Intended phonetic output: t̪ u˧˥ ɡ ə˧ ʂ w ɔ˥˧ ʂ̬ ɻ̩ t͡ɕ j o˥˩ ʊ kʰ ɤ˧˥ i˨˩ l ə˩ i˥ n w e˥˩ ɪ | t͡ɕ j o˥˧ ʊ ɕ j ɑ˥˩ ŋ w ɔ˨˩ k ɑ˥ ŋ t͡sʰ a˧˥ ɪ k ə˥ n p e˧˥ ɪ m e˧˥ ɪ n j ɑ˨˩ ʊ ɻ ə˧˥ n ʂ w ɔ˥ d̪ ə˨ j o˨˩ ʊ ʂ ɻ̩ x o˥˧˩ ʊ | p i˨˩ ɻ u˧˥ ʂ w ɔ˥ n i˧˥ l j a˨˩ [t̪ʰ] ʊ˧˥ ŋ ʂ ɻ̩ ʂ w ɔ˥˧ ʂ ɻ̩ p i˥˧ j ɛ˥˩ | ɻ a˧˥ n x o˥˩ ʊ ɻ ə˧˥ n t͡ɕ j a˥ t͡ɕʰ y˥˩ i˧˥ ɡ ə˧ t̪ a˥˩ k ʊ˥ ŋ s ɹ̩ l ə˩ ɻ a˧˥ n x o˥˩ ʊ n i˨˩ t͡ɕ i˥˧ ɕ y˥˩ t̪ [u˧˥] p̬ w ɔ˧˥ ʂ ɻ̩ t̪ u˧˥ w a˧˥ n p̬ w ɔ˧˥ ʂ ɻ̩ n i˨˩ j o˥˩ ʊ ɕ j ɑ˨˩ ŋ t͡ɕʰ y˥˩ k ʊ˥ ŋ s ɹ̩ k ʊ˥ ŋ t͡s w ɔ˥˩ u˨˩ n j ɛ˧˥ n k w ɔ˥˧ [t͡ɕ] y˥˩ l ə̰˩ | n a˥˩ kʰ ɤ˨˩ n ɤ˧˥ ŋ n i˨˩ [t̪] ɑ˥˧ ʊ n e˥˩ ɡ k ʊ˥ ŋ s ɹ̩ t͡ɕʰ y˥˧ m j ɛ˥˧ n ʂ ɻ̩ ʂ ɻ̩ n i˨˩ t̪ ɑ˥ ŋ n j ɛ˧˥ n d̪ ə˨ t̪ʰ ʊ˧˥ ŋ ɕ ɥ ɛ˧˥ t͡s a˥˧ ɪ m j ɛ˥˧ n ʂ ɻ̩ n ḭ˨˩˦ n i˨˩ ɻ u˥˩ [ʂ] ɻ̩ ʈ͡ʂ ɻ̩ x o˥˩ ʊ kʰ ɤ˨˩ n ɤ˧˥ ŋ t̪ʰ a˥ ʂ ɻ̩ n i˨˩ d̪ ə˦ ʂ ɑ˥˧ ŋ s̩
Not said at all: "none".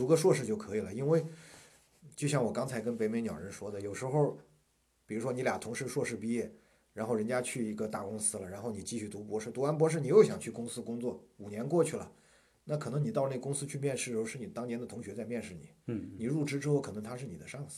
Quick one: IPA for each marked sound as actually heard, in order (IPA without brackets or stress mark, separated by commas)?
t̪ʰ, u˧˥, t͡ɕʰ, t̪, ʈ͡ʂ